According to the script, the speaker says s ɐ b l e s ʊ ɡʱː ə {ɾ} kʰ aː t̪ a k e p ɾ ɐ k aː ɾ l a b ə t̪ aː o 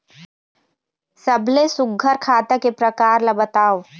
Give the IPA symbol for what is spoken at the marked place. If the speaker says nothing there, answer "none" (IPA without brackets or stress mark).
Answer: ɾ